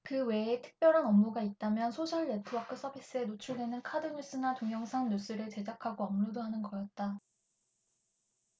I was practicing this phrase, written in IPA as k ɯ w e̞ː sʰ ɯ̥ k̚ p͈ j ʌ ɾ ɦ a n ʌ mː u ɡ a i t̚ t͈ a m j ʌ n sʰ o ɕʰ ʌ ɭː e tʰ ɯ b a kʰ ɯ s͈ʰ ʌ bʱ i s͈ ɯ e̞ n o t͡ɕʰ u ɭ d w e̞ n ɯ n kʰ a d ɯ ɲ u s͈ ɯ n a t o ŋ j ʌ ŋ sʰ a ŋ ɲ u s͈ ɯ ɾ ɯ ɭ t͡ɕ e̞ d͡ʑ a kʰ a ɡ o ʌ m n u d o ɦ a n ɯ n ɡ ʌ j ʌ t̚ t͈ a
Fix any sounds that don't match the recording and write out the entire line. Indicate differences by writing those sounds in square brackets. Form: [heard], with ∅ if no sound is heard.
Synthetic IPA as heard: k ɯ w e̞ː [tʰ] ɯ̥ k̚ p͈ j ʌ ɾ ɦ a n ʌ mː u ɡ a i t̚ t͈ a m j ʌ n sʰ o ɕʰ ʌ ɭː e tʰ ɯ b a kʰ ɯ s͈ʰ ʌ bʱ i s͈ ɯ e̞ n o t͡ɕʰ u ɭ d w e̞ n ɯ n kʰ a d ɯ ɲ u s͈ ɯ n a t o ŋ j ʌ ŋ sʰ a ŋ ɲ u s͈ ɯ ɾ ɯ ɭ t͡ɕ e̞ d͡ʑ a kʰ a ɡ o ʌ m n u d o ɦ a n ɯ n ɡ ʌ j ʌ t̚ t͈ a

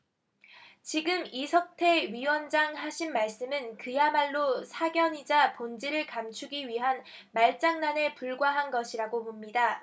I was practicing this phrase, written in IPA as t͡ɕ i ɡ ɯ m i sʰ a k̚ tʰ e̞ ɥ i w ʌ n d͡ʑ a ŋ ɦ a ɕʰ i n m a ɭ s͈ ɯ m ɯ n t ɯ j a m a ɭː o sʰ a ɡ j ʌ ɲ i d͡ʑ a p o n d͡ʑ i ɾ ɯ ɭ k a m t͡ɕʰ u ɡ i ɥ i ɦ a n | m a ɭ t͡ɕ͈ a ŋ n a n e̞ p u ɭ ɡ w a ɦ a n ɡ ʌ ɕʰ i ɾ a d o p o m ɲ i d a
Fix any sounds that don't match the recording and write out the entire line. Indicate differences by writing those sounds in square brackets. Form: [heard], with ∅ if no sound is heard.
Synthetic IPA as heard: t͡ɕ i ɡ ɯ m i sʰ [ʌ] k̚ tʰ e̞ ɥ i w ʌ n d͡ʑ a ŋ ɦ a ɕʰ i n m a ɭ s͈ ɯ m ɯ n [k] ɯ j a m a ɭː o sʰ a ɡ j ʌ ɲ i d͡ʑ a p o n d͡ʑ i ɾ ɯ ɭ k a m t͡ɕʰ u ɡ i ɥ i ɦ a n | m a ɭ t͡ɕ͈ a ŋ n a n e̞ p u ɭ ɡ w a ɦ a n ɡ ʌ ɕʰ i ɾ a [ɡ] o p o m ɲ i d a

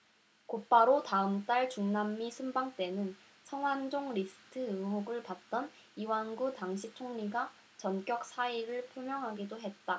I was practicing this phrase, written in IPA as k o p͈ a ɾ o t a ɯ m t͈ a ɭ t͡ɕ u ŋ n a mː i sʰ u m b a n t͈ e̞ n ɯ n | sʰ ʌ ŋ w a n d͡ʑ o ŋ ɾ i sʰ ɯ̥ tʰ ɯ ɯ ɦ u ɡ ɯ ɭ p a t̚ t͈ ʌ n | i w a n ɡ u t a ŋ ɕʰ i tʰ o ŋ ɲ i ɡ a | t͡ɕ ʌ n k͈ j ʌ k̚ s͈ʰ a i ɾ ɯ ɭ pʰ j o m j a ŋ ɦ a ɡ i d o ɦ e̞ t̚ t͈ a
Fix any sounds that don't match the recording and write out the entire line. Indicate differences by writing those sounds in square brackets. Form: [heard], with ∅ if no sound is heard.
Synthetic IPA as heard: k o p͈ a ɾ o t a ɯ m t͈ a ɭ t͡ɕ u ŋ n a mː i sʰ u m b a [ŋ] t͈ e̞ n ɯ n | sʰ ʌ ŋ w a n d͡ʑ o ŋ ɾ i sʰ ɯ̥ tʰ ɯ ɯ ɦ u ɡ ɯ ɭ p a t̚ t͈ ʌ n | i w a n ɡ u t a ŋ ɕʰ i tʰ o ŋ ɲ i ɡ a | t͡ɕ ʌ n k͈ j ʌ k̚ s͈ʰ a i ɾ ɯ ɭ pʰ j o m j [ʌ] ŋ ɦ a ɡ i d o ɦ e̞ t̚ t͈ a

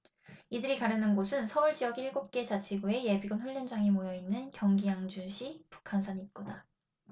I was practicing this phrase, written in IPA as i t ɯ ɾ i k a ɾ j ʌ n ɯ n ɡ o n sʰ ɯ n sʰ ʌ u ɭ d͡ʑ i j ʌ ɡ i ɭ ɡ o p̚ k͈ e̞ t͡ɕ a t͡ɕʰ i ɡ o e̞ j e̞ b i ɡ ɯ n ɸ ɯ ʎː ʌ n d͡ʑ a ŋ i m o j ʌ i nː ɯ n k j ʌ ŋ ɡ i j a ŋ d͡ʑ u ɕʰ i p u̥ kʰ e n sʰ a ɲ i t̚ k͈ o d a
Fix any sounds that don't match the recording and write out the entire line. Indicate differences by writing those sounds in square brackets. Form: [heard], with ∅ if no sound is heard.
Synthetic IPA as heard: i [d] ɯ ɾ i k a ɾ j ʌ n ɯ n ɡ o [∅] sʰ ɯ n sʰ ʌ u ɭ d͡ʑ i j ʌ ɡ i ɭ ɡ o p̚ k͈ e̞ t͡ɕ a t͡ɕʰ i ɡ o e̞ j e̞ b i ɡ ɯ n ɸ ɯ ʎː ʌ n d͡ʑ a ŋ i m o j ʌ i nː ɯ n k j ʌ ŋ ɡ i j a ŋ d͡ʑ u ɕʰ i p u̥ kʰ [a] n sʰ a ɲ i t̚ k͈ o d a

